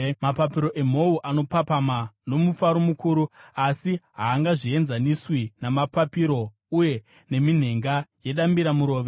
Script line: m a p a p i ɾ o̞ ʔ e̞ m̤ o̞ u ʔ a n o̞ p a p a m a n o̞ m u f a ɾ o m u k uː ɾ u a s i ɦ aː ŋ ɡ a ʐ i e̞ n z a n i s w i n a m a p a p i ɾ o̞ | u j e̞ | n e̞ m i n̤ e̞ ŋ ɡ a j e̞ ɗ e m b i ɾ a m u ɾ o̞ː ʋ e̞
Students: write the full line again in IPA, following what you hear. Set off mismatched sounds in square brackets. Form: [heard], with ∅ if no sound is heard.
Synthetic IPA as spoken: m a p a p i ɾ o̞ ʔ e̞ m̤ o̞ u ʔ a n o̞ p a p a m a n o̞ m u f a ɾ o m u k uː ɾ u a s i ɦ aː ŋ ɡ a ʐ i e̞ n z a n i s w i n a m a p a p i ɾ o̞ | u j e̞ | n e̞ m i n̤ e̞ ŋ ɡ a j e̞ ɗ [a] m b i ɾ a m u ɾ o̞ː ʋ e̞

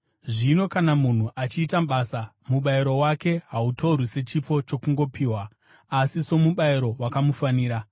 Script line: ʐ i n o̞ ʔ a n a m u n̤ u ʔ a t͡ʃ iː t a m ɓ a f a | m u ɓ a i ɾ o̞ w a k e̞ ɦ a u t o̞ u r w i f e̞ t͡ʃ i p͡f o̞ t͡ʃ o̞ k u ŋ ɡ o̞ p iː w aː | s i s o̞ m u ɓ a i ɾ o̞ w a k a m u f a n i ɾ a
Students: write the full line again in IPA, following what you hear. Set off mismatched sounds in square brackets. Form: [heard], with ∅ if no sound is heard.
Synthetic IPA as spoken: ʐ i n o̞ [k] a n a m u n̤ u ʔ a t͡ʃ iː t a m ɓ a [s] a | m u ɓ a i ɾ o̞ w a k e̞ ɦ a u t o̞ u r w i [s] e̞ t͡ʃ i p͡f o̞ t͡ʃ o̞ k u ŋ ɡ o̞ p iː w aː | s i s o̞ m u ɓ a i ɾ o̞ w a k a m u f a n [iː] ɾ a

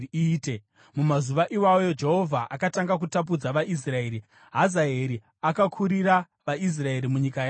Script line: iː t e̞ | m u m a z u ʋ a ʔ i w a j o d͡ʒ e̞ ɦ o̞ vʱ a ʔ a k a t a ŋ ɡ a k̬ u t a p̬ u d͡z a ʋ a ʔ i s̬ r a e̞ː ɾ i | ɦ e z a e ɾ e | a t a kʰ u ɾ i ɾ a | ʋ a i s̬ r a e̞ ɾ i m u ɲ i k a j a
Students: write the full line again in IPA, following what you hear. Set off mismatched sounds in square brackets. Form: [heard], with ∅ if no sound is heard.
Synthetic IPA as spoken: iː t e̞ | m u m a z u ʋ a ʔ i w a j o d͡ʒ e̞ ɦ o̞ vʱ a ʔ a k a t a ŋ ɡ a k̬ u t a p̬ u d͡z a ʋ a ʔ i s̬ r a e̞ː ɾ i | ɦ [a] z a e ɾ [i] | a [k] a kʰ u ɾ i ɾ a | ʋ a i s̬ r a e̞ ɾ i m u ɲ i k a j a

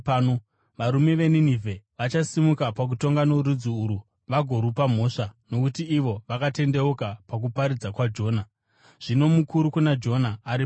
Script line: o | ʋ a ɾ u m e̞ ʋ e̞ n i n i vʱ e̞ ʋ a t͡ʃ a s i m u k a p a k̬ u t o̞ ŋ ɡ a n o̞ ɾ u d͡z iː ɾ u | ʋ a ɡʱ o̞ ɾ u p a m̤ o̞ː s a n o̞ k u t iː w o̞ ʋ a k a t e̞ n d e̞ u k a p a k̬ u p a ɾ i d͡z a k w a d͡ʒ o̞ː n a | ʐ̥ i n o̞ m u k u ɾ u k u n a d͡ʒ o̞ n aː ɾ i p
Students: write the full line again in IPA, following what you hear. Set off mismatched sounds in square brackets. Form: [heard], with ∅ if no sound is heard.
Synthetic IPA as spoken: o | ʋ a ɾ u m e̞ ʋ e̞ n i n i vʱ e̞ ʋ a t͡ʃ a s i m u k a p a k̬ u t o̞ ŋ ɡ a n o̞ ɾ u d͡z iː ɾ u | ʋ a ɡʱ o̞ ɾ u p a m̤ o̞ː [ʂ] a n o̞ k u t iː [ʋ] o̞ ʋ a k a t e̞ n d e̞ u k a p a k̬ u p a ɾ i d͡z a k w a d͡ʒ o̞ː n a | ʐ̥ i n o̞ m u k u ɾ u k u n a d͡ʒ o̞ n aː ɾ i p

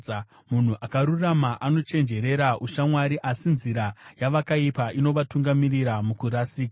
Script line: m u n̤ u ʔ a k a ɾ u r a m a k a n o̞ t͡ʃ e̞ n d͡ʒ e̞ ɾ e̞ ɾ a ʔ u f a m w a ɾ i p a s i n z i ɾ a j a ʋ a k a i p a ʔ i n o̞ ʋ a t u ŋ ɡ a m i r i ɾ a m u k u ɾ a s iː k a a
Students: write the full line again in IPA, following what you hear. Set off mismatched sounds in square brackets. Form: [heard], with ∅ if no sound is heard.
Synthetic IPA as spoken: m u n̤ u ʔ a k a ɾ u r a m a [ʔ] a n o̞ t͡ʃ e̞ n d͡ʒ e̞ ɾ e̞ ɾ a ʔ u [ʃ] a m w a ɾ i [ʔ] a s i n z i ɾ a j a ʋ a k a i p a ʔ i n o̞ ʋ a t u ŋ ɡ a m i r i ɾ a m u k u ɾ a s iː k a a

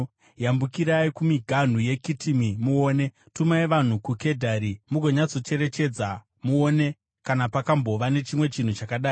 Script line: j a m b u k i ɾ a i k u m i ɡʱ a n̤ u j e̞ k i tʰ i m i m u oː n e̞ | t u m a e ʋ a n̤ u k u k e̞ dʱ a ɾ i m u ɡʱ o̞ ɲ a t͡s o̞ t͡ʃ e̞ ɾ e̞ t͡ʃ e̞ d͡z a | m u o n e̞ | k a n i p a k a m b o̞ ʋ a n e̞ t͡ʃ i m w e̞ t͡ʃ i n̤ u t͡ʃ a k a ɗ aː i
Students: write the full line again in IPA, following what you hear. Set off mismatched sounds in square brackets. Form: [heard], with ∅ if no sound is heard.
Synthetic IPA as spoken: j a m b u k i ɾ a i k u m i ɡʱ a n̤ u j e̞ k i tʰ i m i m u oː n e̞ | t u m a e ʋ a n̤ u k u k e̞ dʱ a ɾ i m u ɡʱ o̞ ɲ a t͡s o̞ t͡ʃ e̞ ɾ e̞ t͡ʃ e̞ d͡z a | m u o n e̞ | k a n [a] p a k a m b o̞ ʋ a n e̞ t͡ʃ i m w e̞ t͡ʃ i n̤ u t͡ʃ a k a ɗ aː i

